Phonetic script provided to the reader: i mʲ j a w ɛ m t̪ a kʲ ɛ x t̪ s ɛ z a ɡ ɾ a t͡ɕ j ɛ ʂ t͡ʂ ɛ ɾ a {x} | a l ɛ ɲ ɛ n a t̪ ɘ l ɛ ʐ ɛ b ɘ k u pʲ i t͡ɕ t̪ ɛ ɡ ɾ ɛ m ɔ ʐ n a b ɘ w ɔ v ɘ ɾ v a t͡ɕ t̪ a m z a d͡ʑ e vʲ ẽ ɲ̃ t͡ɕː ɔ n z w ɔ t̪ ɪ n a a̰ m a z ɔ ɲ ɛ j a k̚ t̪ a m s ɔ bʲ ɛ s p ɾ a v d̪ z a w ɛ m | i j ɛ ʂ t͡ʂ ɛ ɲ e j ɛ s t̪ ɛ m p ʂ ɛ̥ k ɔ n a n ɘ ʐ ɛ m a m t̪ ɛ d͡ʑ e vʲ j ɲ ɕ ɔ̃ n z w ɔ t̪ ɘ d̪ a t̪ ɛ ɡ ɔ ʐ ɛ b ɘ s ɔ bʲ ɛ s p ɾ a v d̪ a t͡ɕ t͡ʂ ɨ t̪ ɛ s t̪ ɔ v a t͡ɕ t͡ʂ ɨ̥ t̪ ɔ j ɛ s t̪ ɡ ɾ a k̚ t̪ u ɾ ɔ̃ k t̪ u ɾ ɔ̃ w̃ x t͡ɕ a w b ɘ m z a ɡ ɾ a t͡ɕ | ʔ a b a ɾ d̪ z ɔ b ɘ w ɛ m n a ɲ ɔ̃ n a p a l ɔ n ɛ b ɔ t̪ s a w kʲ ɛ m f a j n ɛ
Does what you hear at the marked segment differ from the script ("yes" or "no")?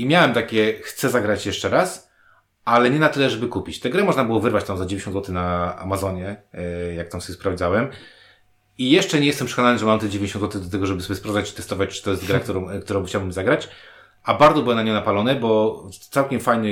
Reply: yes